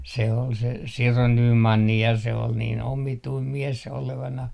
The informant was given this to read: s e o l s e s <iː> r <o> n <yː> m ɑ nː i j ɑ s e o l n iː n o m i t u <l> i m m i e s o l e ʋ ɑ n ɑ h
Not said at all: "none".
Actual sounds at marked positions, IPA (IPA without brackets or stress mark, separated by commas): i, o, yː, none